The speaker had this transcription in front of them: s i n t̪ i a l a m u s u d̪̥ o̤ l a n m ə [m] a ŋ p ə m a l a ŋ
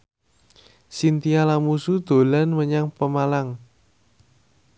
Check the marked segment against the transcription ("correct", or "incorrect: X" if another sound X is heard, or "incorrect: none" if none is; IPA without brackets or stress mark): incorrect: ɲ